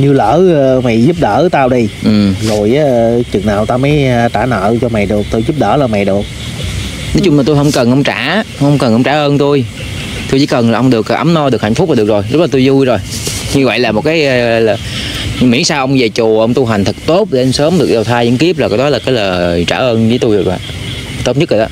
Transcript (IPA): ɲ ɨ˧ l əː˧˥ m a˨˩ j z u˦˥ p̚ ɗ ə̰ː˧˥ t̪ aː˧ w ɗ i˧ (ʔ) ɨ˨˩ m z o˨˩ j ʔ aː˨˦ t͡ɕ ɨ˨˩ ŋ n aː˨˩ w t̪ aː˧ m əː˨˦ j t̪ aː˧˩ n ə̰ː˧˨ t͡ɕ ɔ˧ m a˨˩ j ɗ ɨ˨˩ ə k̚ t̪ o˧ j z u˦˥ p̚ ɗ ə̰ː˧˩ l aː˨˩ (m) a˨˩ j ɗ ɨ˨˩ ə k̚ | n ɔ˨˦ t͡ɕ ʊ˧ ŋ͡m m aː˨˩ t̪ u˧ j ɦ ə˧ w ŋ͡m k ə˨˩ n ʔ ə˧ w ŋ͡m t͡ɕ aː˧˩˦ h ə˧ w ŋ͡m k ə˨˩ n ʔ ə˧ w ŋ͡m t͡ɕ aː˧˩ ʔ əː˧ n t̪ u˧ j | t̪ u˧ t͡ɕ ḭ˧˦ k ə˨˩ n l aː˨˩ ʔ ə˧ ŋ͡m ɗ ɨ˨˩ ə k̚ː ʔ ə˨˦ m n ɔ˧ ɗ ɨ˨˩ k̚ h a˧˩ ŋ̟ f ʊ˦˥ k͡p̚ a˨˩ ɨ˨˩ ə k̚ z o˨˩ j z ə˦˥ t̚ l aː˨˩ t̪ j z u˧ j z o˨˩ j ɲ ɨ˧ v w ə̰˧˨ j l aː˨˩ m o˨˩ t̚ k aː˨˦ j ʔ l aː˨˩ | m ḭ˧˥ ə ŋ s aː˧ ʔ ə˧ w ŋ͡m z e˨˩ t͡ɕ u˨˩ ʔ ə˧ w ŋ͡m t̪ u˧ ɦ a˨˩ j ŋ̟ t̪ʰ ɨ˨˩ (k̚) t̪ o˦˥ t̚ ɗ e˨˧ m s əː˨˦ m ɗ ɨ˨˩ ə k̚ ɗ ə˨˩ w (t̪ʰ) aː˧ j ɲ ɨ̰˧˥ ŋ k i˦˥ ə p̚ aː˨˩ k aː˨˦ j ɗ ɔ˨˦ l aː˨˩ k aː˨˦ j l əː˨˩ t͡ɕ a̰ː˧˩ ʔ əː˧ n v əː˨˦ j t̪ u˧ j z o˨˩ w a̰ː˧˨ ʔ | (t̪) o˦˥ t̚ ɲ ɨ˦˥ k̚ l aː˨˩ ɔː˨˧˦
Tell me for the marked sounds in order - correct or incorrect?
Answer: correct, correct, correct, correct, correct

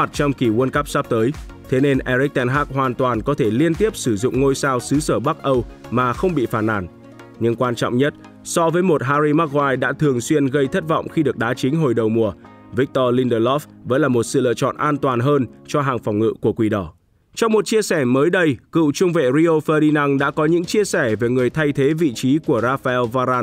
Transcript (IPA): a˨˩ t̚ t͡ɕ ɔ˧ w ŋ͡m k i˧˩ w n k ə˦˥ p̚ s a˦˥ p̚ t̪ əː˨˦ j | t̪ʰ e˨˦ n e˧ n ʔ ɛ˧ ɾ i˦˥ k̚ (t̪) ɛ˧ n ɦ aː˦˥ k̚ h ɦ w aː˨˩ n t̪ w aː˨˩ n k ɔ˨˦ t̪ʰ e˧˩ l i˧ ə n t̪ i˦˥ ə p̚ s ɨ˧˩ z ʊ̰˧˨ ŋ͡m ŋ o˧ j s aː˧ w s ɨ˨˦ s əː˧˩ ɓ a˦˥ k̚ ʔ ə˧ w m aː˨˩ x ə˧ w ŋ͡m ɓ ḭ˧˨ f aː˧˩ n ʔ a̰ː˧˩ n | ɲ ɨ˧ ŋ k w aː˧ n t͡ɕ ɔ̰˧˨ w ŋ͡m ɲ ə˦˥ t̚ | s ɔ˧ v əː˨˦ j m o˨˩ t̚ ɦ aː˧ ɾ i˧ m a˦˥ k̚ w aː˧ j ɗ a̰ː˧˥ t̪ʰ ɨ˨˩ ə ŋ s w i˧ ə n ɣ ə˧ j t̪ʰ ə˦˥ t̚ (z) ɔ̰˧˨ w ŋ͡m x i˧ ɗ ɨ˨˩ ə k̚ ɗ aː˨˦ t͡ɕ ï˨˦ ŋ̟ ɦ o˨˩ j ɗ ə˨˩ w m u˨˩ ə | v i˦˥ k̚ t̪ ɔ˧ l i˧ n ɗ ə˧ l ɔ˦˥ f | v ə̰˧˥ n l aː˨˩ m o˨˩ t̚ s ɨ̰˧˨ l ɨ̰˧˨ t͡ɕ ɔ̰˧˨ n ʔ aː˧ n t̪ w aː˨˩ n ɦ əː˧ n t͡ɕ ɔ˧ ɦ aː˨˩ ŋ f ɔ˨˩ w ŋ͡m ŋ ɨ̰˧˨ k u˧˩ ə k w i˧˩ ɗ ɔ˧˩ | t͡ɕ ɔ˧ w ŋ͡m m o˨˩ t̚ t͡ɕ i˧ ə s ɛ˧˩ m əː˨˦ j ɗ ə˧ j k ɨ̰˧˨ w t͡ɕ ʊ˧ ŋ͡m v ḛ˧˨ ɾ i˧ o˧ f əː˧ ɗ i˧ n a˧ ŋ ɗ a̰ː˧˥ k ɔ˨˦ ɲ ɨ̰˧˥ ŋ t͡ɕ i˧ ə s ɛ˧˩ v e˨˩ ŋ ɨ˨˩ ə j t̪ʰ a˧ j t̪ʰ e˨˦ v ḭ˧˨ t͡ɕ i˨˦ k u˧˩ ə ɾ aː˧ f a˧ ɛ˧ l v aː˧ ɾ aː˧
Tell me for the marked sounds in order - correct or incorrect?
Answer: correct, incorrect

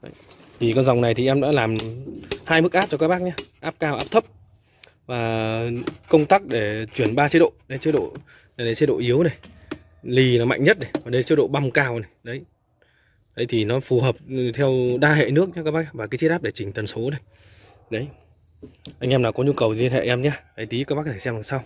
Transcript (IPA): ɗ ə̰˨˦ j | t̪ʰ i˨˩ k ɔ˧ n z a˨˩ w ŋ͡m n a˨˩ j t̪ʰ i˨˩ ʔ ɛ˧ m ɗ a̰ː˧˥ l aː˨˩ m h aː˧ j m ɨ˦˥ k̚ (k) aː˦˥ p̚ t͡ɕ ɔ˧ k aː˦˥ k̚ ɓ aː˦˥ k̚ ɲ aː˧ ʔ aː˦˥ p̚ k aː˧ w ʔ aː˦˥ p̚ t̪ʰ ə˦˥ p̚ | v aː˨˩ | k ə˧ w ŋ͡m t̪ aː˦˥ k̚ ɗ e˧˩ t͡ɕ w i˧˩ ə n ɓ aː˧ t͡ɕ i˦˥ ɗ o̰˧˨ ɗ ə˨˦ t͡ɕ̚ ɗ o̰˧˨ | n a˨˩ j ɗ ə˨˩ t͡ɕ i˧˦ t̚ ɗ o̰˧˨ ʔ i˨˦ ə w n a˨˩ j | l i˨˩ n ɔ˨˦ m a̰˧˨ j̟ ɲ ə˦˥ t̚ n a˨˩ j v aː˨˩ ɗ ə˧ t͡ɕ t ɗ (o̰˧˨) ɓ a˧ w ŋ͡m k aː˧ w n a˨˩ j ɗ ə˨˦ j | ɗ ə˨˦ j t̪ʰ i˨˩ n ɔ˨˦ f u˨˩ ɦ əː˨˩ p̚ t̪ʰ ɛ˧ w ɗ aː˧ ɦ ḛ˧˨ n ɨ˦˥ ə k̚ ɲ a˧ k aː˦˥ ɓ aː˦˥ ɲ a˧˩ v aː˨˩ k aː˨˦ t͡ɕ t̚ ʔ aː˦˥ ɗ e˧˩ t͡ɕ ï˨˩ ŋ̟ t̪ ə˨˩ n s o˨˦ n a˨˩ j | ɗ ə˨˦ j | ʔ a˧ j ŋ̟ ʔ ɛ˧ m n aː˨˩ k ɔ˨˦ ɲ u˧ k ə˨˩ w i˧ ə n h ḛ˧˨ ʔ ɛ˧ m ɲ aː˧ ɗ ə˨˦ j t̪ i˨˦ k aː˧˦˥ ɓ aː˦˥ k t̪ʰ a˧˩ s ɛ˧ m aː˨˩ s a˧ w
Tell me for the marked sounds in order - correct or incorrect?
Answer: incorrect, correct

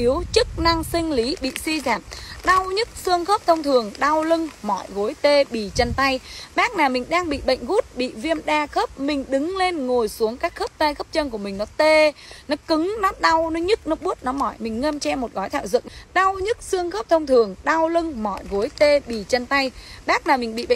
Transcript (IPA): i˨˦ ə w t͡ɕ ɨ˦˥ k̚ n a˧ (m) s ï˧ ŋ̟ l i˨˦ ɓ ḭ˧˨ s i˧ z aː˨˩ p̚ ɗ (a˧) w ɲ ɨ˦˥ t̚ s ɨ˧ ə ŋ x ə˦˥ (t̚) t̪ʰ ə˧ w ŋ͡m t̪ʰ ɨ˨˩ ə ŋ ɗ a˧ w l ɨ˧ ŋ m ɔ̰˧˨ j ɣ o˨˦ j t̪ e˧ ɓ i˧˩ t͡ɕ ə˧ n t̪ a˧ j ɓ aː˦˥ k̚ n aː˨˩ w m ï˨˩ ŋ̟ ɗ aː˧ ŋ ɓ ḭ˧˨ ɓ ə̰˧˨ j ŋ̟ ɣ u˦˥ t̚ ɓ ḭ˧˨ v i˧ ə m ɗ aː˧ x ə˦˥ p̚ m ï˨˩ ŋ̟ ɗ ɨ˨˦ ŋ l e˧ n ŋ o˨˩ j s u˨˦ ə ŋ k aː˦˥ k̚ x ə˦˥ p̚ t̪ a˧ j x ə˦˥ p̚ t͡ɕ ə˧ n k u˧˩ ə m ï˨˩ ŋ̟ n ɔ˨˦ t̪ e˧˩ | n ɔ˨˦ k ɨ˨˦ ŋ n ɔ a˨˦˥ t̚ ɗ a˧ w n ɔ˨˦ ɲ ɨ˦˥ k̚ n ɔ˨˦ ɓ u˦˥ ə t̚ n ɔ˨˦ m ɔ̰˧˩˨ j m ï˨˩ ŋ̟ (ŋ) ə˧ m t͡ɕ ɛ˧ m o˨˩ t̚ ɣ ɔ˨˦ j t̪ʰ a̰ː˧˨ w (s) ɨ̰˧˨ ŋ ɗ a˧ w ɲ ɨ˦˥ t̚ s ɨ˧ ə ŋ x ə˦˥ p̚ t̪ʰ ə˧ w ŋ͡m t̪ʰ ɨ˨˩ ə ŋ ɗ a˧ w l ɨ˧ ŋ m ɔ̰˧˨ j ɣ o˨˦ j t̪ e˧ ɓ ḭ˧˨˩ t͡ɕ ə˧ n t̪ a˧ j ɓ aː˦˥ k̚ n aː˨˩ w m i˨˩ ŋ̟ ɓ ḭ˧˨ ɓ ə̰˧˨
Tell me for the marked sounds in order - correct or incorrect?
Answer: incorrect, correct, incorrect, correct, incorrect

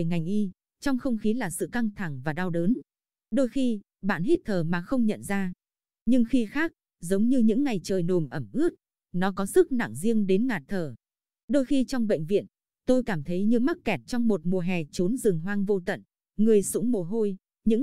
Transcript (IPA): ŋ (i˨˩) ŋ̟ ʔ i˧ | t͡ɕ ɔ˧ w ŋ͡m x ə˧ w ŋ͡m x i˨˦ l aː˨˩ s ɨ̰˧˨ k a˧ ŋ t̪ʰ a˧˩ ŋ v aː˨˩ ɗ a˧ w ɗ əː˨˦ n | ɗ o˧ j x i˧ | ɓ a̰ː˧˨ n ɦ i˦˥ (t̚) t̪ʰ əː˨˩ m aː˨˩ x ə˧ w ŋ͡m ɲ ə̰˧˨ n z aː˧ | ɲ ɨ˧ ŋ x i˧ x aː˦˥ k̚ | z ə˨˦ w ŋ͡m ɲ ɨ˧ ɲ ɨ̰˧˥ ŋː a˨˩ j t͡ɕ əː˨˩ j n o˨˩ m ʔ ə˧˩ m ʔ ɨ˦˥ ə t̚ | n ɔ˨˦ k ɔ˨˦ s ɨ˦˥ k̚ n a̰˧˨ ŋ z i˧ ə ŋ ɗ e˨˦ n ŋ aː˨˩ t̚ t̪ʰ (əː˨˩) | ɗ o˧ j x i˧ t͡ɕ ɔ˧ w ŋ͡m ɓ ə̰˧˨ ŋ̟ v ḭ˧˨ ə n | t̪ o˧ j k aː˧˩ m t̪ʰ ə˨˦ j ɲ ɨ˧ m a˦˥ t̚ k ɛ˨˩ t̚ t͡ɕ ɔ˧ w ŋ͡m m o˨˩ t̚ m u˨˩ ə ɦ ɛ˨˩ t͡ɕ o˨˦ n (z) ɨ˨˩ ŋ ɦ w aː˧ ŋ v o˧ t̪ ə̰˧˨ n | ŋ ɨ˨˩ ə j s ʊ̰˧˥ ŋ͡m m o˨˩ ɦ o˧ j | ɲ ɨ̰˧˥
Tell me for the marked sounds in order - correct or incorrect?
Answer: incorrect, correct, correct, correct

